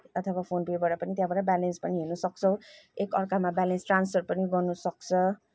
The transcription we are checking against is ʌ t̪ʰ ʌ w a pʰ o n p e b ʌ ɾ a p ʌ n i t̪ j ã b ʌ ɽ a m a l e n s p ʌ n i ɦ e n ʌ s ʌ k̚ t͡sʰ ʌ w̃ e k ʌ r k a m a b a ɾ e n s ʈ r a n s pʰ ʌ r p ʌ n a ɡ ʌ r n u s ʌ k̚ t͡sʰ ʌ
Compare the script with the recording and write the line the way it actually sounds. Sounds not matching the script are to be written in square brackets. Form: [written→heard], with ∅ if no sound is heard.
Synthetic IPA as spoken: ʌ t̪ʰ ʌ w a pʰ o n p e b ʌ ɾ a p ʌ n i t̪ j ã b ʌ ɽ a [m→b] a l e n s p ʌ n i ɦ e n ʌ s ʌ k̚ t͡sʰ ʌ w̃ e k ʌ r k a m a b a [ɾ→l] e n s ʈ r a n s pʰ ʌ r p ʌ n [a→i] ɡ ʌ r n u s ʌ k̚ t͡sʰ ʌ